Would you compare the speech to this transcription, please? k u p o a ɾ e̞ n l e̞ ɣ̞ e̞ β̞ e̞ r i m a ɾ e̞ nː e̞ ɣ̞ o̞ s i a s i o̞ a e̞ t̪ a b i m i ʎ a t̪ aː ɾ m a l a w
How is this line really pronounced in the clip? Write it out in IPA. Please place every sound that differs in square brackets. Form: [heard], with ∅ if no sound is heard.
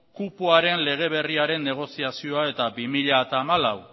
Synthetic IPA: k u p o a ɾ e̞ n l e̞ ɣ̞ e̞ β̞ e̞ r i [∅] a ɾ e̞ nː e̞ ɣ̞ o̞ s i a s i o̞ a e̞ t̪ a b i m i ʎ a t̪ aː [∅] m a l a w